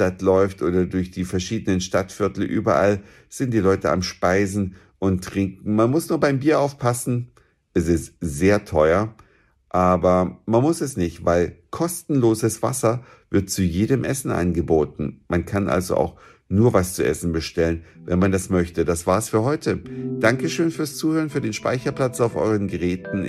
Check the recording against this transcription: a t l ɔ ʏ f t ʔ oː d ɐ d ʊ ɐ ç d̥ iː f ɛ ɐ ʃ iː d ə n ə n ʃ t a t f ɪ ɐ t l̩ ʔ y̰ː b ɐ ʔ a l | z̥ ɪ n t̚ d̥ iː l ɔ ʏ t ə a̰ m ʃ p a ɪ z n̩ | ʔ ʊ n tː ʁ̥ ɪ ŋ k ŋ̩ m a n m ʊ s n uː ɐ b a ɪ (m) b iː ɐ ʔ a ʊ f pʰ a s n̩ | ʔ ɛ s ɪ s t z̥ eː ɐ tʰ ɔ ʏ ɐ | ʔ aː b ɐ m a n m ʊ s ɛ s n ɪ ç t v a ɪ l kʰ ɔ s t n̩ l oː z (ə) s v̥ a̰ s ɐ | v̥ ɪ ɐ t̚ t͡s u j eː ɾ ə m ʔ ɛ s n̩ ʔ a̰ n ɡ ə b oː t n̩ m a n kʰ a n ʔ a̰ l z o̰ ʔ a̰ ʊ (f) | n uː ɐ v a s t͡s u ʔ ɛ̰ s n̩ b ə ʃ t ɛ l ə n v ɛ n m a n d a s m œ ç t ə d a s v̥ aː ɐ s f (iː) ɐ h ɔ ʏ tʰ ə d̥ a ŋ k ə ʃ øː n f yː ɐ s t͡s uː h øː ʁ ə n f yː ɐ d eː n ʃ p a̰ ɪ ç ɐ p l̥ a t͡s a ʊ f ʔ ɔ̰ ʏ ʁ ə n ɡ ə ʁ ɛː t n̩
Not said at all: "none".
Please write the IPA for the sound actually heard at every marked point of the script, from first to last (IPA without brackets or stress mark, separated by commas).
m, ə, x, yː